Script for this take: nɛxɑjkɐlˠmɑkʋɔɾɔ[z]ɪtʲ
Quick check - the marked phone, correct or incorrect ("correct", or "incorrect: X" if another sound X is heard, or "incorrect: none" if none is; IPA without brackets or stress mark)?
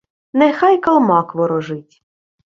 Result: incorrect: ʒ